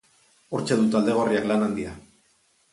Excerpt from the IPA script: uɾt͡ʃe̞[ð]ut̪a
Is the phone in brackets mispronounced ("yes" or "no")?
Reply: no